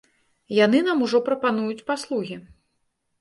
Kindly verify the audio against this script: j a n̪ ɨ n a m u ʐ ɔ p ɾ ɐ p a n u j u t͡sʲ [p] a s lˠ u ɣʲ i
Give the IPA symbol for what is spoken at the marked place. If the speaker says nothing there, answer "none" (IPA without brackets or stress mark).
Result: p